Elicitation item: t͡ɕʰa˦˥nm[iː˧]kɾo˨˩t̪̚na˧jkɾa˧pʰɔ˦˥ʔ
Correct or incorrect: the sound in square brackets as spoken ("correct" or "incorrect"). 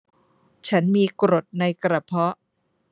correct